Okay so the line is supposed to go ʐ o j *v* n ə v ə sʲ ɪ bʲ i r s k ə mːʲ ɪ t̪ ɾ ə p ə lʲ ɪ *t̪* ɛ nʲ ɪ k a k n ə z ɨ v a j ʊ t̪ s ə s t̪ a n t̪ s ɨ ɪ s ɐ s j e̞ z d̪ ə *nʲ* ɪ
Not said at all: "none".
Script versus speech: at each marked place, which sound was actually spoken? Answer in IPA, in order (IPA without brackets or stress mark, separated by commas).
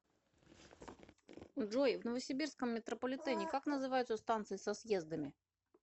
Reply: v, t̪, mʲ